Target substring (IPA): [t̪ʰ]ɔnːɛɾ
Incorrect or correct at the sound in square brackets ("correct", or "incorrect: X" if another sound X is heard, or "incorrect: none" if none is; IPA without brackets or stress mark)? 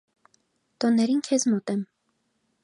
incorrect: t̪